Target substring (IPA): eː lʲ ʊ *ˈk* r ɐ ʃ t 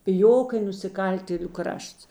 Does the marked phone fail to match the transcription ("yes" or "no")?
no